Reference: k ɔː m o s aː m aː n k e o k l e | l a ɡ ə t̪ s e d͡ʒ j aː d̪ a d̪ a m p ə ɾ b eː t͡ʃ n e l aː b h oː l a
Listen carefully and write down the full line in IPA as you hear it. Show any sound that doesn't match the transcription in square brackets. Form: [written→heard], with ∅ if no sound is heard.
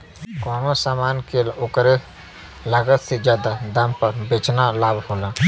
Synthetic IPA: k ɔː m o s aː m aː n k e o k [l→ɾ] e | l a ɡ ə t̪ s e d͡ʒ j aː d̪ a d̪ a m p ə ɾ b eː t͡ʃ n [e→a] l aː b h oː l a